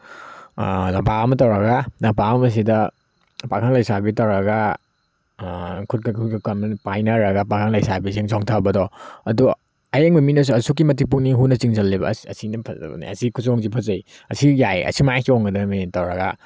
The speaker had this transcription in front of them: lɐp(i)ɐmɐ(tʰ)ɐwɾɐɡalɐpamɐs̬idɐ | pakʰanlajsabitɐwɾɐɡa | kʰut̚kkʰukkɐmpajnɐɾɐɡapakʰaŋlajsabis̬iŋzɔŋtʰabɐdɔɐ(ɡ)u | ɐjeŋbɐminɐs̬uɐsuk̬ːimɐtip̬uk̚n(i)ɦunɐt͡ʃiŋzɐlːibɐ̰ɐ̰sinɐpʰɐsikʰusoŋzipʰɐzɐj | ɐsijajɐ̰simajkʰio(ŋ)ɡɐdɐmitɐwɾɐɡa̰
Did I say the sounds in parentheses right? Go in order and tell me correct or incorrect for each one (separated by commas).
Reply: incorrect, incorrect, incorrect, correct, correct